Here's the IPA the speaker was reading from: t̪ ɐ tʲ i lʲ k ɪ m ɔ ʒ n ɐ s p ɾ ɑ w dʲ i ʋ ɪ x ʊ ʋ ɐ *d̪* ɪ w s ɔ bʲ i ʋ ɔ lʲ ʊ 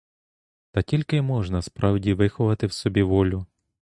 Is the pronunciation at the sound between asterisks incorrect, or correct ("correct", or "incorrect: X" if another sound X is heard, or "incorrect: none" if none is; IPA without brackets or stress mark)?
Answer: incorrect: t̪